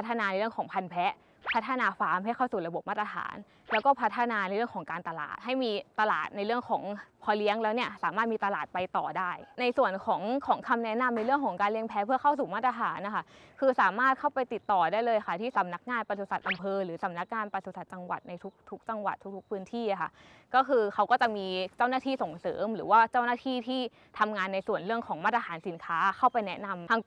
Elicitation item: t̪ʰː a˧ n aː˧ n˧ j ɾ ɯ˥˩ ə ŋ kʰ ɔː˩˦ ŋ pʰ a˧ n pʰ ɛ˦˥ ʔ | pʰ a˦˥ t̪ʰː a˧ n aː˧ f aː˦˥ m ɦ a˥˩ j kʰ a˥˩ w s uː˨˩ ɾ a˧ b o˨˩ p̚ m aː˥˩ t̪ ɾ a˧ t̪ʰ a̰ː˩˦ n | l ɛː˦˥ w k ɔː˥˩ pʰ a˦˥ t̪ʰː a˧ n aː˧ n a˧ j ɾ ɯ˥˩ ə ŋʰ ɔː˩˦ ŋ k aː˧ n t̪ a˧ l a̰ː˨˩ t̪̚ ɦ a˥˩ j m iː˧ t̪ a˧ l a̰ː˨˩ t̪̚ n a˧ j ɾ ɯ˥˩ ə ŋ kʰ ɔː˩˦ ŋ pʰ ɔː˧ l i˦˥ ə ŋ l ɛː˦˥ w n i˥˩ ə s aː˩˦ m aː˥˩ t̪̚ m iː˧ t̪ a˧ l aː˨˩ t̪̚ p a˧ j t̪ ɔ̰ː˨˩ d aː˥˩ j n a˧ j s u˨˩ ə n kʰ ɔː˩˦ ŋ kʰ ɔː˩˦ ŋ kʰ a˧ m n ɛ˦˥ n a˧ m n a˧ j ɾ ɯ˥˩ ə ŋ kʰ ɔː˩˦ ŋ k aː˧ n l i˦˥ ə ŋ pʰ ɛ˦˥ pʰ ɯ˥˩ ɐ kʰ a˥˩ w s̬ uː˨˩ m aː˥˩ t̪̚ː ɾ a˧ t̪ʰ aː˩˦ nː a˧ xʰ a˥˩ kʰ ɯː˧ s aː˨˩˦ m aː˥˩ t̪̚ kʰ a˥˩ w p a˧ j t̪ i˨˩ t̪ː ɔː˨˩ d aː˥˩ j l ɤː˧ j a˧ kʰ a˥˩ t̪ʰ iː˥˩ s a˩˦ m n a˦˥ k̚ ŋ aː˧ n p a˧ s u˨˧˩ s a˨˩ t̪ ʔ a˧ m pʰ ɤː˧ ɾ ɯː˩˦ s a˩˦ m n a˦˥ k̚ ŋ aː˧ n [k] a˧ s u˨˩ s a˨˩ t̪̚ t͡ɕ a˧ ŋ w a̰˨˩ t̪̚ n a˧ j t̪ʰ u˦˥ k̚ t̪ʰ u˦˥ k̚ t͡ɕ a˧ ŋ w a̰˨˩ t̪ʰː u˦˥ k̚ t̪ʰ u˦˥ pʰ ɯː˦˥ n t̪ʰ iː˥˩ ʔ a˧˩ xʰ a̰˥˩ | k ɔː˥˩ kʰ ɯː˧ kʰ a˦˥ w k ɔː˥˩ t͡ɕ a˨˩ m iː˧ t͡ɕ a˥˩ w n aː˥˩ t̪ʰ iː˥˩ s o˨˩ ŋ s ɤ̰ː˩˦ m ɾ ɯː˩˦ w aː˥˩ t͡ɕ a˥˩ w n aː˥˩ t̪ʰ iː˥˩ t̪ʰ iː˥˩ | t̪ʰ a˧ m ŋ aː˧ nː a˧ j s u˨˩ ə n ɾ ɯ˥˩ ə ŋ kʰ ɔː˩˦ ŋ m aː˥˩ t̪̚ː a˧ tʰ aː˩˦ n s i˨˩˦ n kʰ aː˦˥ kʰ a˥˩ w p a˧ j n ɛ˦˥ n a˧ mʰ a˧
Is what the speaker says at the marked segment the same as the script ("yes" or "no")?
no